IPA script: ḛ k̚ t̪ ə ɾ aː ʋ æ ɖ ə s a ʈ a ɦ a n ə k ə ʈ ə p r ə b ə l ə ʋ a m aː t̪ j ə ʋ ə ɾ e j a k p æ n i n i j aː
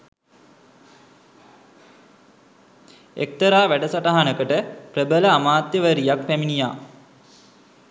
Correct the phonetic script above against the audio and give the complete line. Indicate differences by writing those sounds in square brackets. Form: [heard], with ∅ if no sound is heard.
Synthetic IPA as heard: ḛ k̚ t̪ ə ɾ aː ʋ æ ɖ ə s a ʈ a ɦ a n ə k ə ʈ ə p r ə b ə l ə [∅] a m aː t̪ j ə ʋ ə ɾ [i] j a k p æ [m] i n i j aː